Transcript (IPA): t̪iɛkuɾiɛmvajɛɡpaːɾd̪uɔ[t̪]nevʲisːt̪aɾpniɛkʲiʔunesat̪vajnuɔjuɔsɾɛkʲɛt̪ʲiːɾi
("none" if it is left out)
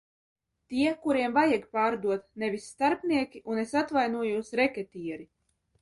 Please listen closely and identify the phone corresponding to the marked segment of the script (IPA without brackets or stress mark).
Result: t̪